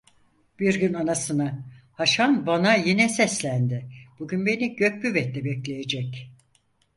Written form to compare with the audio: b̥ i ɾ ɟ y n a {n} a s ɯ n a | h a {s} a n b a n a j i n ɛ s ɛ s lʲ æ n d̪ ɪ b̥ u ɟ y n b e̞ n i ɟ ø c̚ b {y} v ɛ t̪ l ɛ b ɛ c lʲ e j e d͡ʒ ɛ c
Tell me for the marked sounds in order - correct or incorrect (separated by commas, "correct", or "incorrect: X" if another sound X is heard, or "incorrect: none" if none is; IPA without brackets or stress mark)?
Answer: correct, incorrect: ʃ, correct